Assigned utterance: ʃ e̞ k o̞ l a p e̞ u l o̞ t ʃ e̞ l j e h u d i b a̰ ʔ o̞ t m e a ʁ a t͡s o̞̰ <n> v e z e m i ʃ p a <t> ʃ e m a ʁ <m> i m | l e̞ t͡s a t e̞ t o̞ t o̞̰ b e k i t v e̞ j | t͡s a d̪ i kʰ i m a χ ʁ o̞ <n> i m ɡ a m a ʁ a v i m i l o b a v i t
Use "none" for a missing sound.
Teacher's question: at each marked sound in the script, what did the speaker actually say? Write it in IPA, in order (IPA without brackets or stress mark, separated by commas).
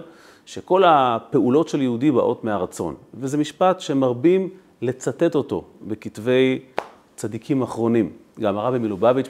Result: n, t, b, n